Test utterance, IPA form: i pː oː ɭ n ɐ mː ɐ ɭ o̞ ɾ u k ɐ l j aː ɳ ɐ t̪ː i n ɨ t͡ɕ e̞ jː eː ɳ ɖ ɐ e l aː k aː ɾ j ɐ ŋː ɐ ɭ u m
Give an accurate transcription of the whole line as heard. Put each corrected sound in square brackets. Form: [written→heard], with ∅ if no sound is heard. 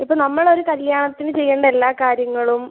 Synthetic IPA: i pː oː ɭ n ɐ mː ɐ ɭ o̞ ɾ u k ɐ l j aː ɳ ɐ t̪ː i n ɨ t͡ɕ e̞ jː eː ɳ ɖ ɐ e [l→lː] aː k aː ɾ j ɐ ŋː ɐ ɭ u m